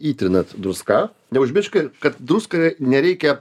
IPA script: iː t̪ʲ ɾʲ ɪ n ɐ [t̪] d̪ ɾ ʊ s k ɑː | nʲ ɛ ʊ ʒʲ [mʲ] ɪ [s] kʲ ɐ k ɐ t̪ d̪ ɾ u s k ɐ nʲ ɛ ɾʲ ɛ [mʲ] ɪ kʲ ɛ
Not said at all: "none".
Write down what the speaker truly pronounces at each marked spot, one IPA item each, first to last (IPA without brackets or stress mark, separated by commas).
t̪, mʲ, ʃ, none